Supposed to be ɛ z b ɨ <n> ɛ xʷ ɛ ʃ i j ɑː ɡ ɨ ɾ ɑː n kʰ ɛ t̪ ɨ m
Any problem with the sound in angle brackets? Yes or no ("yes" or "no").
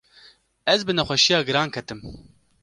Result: no